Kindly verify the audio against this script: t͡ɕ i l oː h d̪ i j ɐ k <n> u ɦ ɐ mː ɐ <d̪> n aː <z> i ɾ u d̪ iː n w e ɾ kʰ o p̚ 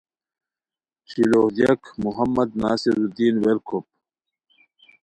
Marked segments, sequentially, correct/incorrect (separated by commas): incorrect, correct, incorrect